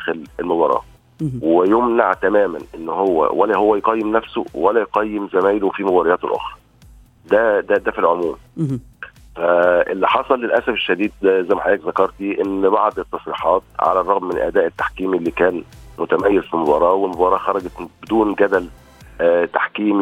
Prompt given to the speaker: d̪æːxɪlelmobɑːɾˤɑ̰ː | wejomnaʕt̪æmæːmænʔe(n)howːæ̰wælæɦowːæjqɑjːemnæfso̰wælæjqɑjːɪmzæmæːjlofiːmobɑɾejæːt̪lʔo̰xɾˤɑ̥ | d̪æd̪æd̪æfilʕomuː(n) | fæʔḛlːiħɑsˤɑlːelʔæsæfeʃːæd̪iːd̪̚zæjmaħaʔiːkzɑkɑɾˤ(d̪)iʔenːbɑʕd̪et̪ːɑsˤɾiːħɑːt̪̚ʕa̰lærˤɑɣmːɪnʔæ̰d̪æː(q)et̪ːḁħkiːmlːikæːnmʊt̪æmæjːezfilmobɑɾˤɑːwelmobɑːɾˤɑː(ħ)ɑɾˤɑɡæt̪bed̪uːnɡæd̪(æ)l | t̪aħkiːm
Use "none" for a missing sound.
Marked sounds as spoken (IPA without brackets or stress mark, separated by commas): nː, m, t̪, ʔ, x, æ